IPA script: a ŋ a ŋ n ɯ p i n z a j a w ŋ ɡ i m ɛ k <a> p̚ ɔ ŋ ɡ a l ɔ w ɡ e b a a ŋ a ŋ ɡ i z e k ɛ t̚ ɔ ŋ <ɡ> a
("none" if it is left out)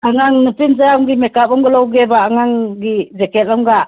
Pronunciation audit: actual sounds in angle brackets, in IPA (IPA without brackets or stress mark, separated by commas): a, ɡ